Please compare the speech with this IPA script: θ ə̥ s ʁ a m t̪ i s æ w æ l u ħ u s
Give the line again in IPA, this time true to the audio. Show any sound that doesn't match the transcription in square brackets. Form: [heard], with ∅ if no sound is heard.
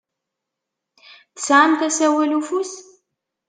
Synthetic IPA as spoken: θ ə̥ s [ʕ] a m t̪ [æ] s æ w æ l u [f] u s